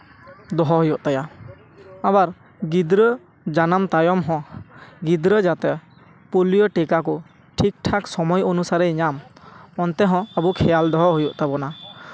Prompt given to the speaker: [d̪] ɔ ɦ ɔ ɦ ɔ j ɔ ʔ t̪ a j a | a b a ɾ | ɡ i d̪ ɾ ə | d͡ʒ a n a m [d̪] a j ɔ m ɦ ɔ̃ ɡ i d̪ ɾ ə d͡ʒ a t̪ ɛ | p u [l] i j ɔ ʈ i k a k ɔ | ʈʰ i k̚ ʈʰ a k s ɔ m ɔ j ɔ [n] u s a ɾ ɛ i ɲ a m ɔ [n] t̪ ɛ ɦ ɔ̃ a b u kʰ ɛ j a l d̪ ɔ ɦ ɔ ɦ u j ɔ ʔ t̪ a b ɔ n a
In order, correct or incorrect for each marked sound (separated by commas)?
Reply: correct, incorrect, correct, correct, correct